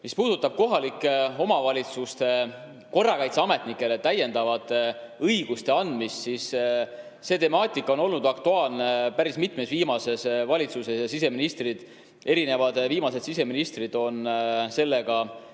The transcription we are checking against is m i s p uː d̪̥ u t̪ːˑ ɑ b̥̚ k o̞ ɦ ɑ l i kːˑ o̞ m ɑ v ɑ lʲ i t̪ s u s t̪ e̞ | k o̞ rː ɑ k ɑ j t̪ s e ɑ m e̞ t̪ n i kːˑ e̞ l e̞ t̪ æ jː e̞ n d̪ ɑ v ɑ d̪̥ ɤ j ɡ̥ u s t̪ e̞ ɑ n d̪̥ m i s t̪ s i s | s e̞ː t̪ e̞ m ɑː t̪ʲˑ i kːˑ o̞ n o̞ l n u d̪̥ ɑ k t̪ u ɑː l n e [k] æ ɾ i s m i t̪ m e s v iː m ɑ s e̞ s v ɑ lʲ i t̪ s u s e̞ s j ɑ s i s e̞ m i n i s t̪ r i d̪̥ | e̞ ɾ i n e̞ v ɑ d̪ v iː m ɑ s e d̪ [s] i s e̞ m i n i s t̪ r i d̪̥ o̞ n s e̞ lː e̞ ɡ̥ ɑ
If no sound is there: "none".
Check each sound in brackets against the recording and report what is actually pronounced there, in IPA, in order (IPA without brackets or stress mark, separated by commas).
p, s